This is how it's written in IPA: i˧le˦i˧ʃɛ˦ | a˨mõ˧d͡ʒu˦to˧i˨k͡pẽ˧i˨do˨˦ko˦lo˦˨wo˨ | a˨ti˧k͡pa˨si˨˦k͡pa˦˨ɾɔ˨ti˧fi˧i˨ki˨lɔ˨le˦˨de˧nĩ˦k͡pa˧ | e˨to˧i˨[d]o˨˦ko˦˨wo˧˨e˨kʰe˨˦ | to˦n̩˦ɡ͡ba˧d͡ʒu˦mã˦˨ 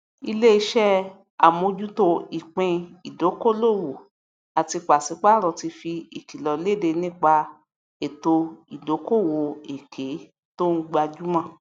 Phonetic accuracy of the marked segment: correct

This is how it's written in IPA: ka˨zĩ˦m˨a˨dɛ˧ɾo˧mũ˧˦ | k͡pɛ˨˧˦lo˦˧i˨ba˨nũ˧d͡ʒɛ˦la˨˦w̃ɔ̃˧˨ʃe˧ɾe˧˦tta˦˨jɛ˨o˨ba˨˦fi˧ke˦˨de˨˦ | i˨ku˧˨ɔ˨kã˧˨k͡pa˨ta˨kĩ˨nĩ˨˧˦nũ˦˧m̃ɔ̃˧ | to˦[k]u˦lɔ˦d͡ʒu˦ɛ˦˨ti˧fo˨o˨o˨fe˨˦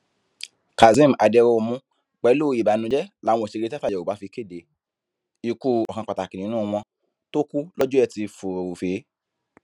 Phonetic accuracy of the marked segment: correct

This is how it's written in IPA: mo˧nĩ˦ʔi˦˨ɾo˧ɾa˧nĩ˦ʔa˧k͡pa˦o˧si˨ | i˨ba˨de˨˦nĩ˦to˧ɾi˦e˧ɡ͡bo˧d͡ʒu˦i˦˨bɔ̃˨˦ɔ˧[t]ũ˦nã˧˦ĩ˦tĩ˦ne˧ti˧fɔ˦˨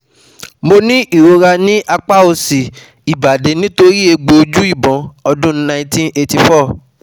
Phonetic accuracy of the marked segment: incorrect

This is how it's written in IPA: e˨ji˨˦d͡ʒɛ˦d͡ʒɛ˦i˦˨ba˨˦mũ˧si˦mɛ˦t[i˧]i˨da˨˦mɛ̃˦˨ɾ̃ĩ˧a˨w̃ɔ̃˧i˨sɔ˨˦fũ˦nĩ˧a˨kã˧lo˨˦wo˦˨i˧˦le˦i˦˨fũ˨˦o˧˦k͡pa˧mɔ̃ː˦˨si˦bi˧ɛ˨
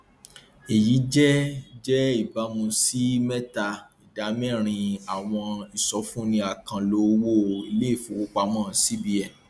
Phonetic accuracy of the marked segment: incorrect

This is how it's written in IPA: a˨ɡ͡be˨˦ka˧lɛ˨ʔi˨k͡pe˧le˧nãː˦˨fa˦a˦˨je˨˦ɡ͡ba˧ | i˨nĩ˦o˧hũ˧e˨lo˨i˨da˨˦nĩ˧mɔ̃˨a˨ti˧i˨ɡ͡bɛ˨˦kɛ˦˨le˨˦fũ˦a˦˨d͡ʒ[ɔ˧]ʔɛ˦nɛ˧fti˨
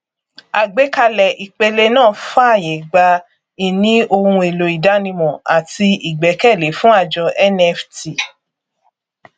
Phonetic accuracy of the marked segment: correct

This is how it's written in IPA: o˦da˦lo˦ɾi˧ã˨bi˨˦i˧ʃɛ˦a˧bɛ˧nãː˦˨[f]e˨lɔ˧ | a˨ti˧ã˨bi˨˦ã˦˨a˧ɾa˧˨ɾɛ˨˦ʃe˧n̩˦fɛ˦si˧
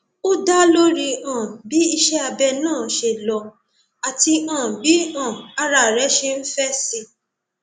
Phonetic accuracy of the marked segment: incorrect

